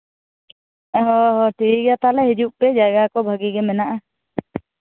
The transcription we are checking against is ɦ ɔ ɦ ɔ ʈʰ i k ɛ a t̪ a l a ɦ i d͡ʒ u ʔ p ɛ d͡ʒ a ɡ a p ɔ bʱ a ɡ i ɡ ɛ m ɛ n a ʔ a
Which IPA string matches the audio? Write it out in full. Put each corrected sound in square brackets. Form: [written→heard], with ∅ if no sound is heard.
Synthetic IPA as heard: ɦ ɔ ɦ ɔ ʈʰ i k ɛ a t̪ a l [a→ɛ] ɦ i d͡ʒ u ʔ p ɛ d͡ʒ a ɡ a [p→k] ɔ bʱ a ɡ i ɡ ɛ m ɛ n a ʔ a